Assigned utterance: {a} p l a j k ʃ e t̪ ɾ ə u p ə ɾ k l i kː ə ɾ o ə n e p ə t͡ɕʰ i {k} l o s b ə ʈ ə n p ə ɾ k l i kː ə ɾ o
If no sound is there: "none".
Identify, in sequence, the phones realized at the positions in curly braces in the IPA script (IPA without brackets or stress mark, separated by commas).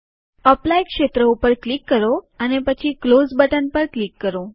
ə, k